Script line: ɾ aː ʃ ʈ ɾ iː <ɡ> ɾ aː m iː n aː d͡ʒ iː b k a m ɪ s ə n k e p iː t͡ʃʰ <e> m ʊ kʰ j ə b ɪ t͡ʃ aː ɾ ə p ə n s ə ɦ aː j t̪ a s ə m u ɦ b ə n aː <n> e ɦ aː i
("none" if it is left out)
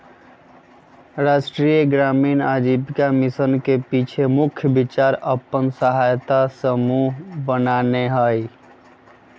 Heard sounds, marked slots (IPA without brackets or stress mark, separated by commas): ɡ, e, n